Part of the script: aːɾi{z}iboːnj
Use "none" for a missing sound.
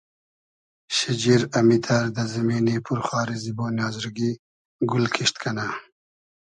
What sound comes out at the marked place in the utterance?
z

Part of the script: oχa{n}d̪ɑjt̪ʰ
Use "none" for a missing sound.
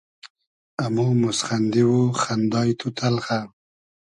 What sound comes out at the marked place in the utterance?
n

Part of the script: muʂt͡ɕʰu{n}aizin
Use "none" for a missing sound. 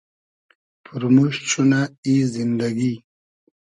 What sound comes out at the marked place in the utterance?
n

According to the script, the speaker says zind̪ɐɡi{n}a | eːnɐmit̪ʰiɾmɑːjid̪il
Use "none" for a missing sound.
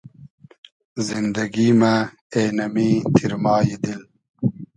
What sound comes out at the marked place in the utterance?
m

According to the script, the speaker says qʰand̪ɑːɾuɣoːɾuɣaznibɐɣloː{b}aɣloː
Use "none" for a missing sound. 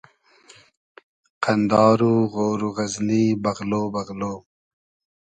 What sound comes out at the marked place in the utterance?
b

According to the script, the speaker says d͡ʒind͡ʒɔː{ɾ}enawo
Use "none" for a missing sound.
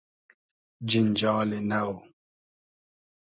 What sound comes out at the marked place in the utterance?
l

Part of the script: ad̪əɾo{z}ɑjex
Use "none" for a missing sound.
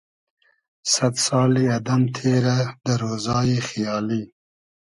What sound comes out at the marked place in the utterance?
z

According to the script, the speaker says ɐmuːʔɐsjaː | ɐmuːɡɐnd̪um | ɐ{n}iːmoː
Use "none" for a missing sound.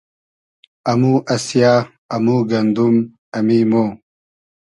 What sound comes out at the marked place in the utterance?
m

